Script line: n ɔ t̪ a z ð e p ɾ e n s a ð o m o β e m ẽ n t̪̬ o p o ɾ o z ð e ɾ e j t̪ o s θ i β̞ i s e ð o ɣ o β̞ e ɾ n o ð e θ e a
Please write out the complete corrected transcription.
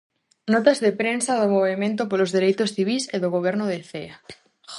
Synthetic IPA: n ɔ t̪ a z ð e p ɾ e n s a ð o m o β e m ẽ n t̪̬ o p o l o z ð e ɾ e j t̪ o s θ i β̞ i s e ð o ɣ o β̞ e ɾ n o ð e θ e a